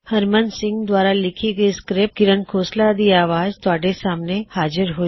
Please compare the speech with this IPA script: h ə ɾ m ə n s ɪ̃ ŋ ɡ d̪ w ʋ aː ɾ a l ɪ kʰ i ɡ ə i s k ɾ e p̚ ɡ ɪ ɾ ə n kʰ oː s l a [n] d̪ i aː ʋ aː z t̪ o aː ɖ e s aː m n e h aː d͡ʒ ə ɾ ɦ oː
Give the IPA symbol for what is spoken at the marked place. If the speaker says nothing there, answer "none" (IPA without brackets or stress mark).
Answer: none